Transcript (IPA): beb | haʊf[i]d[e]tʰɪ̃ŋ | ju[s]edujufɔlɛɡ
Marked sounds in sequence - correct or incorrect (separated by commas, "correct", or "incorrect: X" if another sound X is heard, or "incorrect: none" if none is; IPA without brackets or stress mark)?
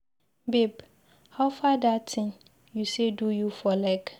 incorrect: a, incorrect: a, correct